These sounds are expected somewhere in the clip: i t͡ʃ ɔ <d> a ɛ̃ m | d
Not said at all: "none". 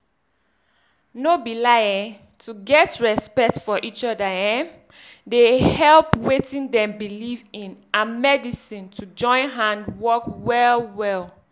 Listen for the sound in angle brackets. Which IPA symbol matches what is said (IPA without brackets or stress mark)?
d